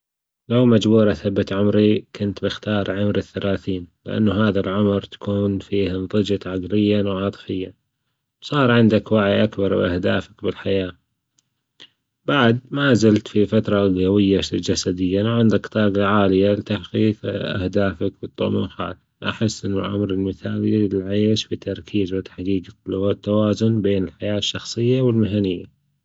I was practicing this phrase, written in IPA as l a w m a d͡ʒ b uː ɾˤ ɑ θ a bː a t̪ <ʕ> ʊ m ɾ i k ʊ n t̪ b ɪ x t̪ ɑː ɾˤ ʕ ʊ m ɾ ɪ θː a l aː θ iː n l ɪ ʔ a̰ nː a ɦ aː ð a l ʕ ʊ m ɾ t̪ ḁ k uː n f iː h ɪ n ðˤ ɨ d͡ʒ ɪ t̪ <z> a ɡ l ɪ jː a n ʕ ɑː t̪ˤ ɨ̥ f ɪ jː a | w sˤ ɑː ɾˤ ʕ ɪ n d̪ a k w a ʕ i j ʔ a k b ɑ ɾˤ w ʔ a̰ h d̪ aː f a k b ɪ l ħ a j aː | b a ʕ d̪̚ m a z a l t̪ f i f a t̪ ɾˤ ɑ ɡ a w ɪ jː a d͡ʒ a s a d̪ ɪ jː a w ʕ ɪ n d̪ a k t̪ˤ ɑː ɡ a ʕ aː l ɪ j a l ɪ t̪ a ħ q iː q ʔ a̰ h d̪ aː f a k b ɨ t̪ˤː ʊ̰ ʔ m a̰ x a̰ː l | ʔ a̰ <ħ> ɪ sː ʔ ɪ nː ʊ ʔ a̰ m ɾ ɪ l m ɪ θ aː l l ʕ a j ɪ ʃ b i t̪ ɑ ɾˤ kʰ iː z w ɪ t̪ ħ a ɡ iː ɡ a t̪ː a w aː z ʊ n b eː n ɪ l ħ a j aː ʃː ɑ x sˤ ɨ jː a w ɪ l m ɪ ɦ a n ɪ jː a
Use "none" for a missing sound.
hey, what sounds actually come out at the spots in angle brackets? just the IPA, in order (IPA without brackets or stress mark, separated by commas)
ʕ, ʕ, ħ